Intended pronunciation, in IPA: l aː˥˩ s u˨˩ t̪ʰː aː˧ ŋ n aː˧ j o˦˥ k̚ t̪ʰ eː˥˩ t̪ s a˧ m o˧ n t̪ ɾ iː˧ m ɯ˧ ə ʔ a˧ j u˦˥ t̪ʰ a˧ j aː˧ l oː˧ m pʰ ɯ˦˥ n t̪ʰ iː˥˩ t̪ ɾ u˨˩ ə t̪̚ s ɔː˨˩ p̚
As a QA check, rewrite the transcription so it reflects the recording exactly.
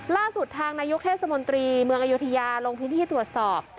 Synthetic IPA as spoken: l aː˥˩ s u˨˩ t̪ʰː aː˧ ŋ n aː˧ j o˦˥ k̚ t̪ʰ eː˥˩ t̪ s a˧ m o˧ n t̪ ɾ iː˧ m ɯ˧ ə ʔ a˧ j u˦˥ t̪ʰ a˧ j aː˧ l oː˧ ŋ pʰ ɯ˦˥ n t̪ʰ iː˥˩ t̪ ɾ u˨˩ ə t̪̚ s ɔː˨˩ p̚

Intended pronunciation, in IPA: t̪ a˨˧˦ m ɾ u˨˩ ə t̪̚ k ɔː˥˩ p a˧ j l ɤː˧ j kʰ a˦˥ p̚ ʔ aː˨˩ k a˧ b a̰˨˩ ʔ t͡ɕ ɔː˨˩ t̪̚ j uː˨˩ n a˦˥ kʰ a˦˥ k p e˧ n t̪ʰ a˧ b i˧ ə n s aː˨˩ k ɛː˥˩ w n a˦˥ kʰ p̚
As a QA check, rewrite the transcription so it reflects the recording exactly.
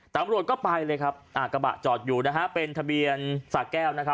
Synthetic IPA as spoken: t̪ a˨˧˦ m ɾ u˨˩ ə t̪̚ k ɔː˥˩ p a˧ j l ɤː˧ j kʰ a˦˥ p̚ ʔ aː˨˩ k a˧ b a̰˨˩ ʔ t͡ɕ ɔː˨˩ t̪̚ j uː˨˩ n a˦˥ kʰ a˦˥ p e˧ n t̪ʰ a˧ b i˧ ə n s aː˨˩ k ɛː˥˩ w n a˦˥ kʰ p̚

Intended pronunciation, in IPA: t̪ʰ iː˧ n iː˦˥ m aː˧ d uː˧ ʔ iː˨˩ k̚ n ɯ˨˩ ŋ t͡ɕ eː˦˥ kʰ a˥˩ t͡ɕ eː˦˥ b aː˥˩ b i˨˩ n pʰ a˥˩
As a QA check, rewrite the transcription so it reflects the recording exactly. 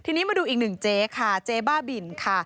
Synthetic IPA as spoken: t̪ʰ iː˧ n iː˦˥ m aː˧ d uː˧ ʔ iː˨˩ k̚ n ɯ˨˩ ŋ t͡ɕ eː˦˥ kʰ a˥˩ t͡ɕ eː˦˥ b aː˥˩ b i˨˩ n kʰ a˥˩

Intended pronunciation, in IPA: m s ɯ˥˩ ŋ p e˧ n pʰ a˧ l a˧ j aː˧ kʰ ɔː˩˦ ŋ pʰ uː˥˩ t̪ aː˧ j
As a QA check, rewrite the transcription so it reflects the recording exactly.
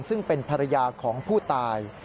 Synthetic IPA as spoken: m s ɯ˥˩ ŋ p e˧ n pʰ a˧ ɾ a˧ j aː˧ kʰ ɔː˩˦ ŋ pʰ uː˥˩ t̪ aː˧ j

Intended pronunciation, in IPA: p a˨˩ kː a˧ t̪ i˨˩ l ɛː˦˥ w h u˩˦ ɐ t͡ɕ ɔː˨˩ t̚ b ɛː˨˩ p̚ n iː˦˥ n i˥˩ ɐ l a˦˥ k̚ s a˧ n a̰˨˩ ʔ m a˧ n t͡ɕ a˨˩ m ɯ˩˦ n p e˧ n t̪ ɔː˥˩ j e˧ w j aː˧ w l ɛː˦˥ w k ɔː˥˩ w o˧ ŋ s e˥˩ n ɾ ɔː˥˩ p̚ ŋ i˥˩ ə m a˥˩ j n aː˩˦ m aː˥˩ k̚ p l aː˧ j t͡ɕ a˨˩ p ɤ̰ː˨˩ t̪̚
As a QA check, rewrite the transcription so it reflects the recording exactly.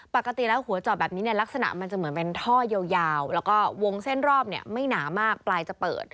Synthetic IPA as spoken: p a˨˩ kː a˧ t̪ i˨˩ l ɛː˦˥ w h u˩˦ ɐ t͡ɕ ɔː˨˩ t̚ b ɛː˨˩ p̚ n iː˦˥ n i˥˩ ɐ l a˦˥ k̚ s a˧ n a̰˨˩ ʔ m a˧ n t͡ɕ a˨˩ m ɯ˩˦ n p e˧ n t̪ʰ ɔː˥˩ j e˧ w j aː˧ w l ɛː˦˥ w k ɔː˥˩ w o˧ ŋ s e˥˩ n ɾ ɔː˥˩ p̚ n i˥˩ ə m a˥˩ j n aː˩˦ m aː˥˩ k̚ p l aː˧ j t͡ɕ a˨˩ p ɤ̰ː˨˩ t̪̚

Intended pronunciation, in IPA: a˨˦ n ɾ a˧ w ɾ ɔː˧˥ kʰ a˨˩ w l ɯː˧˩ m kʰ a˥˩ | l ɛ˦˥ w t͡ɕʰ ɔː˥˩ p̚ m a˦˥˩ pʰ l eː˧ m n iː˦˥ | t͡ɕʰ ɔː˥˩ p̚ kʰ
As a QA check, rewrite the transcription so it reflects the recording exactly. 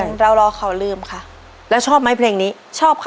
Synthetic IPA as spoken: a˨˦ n ɾ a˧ w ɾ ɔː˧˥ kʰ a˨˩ w l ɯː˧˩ m kʰ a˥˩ | l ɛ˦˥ w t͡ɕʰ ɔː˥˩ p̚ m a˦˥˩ pʰ l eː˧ ŋ n iː˦˥ | t͡ɕʰ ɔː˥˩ p̚ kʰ

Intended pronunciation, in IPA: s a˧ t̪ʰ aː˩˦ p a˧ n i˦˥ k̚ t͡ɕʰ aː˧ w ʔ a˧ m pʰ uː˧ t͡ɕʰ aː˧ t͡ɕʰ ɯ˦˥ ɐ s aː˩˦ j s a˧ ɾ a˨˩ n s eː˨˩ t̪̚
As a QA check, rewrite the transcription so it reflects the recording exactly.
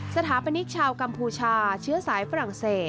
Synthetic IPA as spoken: s a˧ t̪ʰ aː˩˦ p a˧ n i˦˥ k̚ t͡ɕʰ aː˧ w k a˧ m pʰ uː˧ t͡ɕʰ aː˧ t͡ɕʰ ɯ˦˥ ɐ s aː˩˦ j f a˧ ɾ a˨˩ ŋ s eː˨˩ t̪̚

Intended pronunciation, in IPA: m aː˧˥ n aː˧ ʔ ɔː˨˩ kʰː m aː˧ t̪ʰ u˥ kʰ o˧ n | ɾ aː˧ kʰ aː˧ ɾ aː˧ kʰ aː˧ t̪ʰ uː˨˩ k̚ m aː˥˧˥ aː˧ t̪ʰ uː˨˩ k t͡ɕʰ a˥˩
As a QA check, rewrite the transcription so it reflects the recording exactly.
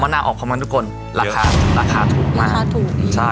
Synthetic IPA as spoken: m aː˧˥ n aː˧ ʔ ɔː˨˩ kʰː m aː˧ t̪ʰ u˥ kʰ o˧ n | ɾ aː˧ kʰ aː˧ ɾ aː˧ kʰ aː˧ t̪ʰ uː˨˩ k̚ m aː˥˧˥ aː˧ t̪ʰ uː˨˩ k t͡ɕʰ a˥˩

